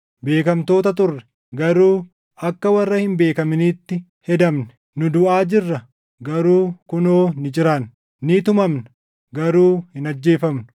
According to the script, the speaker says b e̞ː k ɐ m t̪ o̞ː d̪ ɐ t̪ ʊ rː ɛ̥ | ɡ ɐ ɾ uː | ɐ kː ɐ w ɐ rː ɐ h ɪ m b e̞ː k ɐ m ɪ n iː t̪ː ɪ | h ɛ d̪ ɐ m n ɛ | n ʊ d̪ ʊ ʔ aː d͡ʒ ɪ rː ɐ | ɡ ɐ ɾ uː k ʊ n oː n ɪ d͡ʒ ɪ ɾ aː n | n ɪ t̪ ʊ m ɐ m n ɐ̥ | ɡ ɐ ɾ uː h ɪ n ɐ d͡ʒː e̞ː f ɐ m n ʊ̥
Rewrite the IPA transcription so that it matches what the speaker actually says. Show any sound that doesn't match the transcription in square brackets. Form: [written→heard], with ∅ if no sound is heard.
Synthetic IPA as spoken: b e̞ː k ɐ m t̪ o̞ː [d̪→t̪] ɐ t̪ ʊ rː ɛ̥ | ɡ ɐ ɾ uː | ɐ kː ɐ w ɐ rː ɐ h ɪ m b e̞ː k ɐ m ɪ n iː t̪ː ɪ | h ɛ d̪ ɐ m n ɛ | n ʊ d̪ ʊ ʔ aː d͡ʒ ɪ rː ɐ | ɡ ɐ ɾ uː k ʊ n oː n ɪ d͡ʒ ɪ ɾ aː n | n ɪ t̪ ʊ m ɐ m n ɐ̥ | ɡ ɐ ɾ uː h ɪ n ɐ d͡ʒː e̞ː f ɐ m n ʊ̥

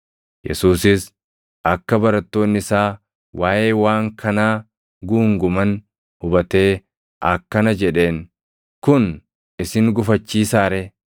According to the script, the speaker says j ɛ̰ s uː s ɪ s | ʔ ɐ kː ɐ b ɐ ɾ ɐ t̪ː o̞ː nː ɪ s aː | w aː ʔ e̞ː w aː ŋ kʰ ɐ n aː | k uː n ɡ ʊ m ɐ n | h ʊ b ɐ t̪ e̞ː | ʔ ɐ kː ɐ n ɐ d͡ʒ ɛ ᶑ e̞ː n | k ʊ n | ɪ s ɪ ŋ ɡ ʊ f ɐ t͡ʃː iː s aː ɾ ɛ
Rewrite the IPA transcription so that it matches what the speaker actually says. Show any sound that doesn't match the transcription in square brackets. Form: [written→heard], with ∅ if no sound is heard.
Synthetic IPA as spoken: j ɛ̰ s uː s ɪ s | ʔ ɐ kː ɐ b ɐ ɾ ɐ t̪ː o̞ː nː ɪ s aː | w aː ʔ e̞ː w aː ŋ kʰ ɐ n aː | [k→ɡ] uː [n→ŋ] ɡ ʊ m ɐ n | h ʊ b ɐ t̪ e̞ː | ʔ ɐ kː ɐ n ɐ d͡ʒ ɛ ᶑ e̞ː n | k ʊ n | ɪ s ɪ ŋ ɡ ʊ f ɐ t͡ʃː iː s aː ɾ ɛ

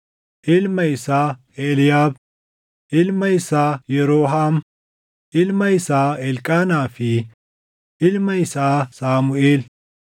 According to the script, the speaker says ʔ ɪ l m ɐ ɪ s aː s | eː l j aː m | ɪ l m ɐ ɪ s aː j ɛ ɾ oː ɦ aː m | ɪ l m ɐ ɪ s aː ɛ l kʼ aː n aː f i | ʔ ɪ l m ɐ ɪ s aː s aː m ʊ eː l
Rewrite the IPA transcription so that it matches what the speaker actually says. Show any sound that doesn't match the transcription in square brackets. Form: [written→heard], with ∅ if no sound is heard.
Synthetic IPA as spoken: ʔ ɪ l m ɐ ɪ s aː [s→∅] | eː l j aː [m→b] | ɪ l m ɐ ɪ s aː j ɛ ɾ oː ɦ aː m | ɪ l m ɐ ɪ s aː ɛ l kʼ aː n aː f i | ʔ ɪ l m ɐ ɪ s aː s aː m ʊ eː l

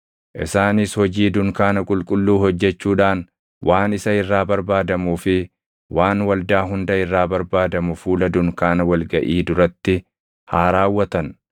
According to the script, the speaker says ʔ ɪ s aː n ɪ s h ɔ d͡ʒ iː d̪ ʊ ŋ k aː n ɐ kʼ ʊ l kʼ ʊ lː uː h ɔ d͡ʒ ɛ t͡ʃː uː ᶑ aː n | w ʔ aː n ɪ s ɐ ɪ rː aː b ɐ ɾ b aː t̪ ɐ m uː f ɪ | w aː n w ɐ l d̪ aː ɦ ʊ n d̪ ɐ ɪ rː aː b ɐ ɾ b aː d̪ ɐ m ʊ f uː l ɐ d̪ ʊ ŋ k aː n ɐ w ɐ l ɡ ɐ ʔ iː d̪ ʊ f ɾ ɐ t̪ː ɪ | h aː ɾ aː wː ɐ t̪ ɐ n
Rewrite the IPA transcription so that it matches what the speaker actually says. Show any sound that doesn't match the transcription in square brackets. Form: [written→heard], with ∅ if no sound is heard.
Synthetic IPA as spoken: ʔ ɪ s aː n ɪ s h ɔ d͡ʒ iː d̪ ʊ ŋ k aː n ɐ kʼ ʊ l kʼ ʊ lː uː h ɔ [d͡ʒ→d͡ʒː] ɛ t͡ʃː uː ᶑ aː n | w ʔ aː n ɪ s ɐ ɪ rː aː b ɐ ɾ b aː [t̪→d̪] ɐ m uː f ɪ | w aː n w ɐ l d̪ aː ɦ ʊ n d̪ ɐ ɪ rː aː b ɐ ɾ b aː d̪ ɐ m ʊ f uː l ɐ d̪ ʊ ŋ k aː n ɐ w ɐ l ɡ ɐ ʔ iː d̪ ʊ [f→∅] ɾ ɐ t̪ː ɪ | h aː ɾ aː wː ɐ t̪ ɐ n

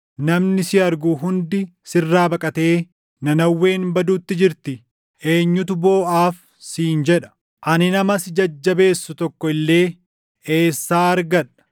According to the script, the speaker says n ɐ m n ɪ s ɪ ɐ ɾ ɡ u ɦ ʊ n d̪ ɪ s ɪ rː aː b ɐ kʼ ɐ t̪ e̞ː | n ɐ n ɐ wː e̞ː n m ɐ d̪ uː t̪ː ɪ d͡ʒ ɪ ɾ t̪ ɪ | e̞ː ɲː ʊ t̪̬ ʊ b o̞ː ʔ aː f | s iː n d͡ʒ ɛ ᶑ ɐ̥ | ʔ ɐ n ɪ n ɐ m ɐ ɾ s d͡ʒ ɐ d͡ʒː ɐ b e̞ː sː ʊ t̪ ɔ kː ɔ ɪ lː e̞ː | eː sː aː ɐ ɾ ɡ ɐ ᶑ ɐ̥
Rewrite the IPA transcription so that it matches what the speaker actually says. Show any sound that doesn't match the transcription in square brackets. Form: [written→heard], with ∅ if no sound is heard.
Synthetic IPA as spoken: n ɐ m n ɪ s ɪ ɐ ɾ ɡ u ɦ ʊ n d̪ ɪ s ɪ rː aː b ɐ kʼ ɐ t̪ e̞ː | n ɐ n ɐ wː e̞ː n [m→b] ɐ d̪ uː t̪ː ɪ d͡ʒ ɪ ɾ t̪ ɪ | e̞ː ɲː ʊ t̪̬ ʊ b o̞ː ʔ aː f | s iː n d͡ʒ ɛ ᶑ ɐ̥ | ʔ ɐ n ɪ n ɐ m ɐ [ɾ→∅] s d͡ʒ ɐ d͡ʒː ɐ b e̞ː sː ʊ t̪ ɔ kː ɔ ɪ lː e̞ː | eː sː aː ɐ ɾ ɡ ɐ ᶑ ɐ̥

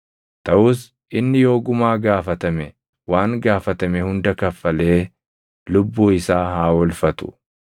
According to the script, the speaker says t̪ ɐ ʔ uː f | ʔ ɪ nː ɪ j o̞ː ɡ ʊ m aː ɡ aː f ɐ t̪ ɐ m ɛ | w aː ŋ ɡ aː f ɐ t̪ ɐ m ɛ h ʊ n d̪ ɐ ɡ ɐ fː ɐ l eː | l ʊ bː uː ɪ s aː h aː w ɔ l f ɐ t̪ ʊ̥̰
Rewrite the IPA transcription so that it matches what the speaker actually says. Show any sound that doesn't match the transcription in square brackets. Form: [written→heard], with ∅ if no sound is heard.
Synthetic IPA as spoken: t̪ ɐ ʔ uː [f→s] | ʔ ɪ nː ɪ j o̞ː ɡ ʊ m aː ɡ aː f ɐ t̪ ɐ m ɛ | w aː ŋ ɡ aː f ɐ t̪ ɐ m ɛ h ʊ n d̪ ɐ [ɡ→k] ɐ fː ɐ l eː | l ʊ bː uː ɪ s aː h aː w ɔ l f ɐ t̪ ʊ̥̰

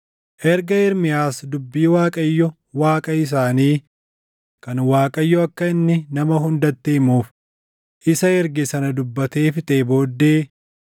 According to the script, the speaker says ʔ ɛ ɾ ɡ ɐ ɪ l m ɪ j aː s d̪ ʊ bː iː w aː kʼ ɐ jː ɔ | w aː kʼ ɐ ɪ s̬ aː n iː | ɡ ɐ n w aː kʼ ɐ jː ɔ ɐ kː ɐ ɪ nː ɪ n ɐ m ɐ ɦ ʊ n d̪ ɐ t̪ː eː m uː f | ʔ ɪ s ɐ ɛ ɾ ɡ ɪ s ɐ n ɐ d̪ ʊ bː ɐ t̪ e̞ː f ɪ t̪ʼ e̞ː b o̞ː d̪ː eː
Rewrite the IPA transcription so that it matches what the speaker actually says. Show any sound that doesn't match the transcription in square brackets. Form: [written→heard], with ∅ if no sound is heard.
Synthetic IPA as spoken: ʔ ɛ ɾ ɡ ɐ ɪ [l→ɾ] m ɪ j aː s d̪ ʊ bː iː w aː kʼ ɐ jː ɔ | w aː kʼ ɐ ɪ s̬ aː n iː | [ɡ→k] ɐ n w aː kʼ ɐ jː ɔ ɐ kː ɐ ɪ nː ɪ n ɐ m ɐ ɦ ʊ n d̪ ɐ t̪ː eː m uː f | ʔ ɪ s ɐ ɛ ɾ ɡ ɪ s ɐ n ɐ d̪ ʊ bː ɐ t̪ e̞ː f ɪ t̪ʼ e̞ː b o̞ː d̪ː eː

